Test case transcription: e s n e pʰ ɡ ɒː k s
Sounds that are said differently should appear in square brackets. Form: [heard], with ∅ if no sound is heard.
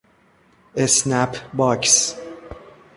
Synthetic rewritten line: e s n [æ] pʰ [b] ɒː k s